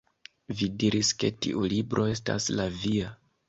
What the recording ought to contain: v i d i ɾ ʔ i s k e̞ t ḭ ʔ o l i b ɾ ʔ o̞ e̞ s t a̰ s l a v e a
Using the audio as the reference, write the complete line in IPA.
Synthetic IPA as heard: v i d i ɾ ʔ i s k e̞ t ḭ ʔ u l i b ɾ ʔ o̞ e̞ s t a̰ s l a v i a